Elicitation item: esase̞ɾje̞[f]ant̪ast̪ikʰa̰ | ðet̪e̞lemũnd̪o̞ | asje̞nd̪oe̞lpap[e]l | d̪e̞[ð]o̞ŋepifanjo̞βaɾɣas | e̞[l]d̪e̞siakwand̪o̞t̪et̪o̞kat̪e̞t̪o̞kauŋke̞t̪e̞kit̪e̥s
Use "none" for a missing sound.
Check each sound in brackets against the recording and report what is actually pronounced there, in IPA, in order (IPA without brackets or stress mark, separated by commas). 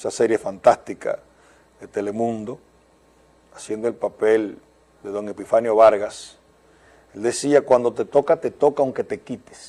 f, e, ð, l